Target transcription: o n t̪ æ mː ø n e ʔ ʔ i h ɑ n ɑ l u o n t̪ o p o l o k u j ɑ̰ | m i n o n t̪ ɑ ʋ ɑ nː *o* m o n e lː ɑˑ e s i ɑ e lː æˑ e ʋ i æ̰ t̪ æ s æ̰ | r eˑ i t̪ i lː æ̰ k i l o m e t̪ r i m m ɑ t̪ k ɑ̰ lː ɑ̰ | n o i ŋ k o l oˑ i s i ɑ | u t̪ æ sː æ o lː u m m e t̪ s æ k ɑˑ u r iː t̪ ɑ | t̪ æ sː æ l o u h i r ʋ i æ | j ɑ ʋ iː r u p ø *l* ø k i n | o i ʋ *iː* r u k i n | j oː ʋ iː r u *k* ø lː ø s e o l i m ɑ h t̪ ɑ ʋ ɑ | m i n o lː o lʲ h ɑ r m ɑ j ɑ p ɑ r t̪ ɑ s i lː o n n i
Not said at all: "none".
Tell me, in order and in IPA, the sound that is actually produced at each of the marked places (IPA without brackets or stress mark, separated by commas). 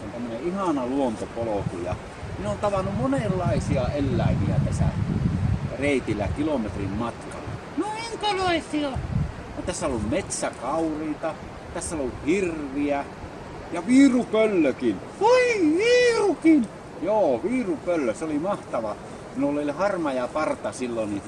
u, lː, iː, p